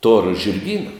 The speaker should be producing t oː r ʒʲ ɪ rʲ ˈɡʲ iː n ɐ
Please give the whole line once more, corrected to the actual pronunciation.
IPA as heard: t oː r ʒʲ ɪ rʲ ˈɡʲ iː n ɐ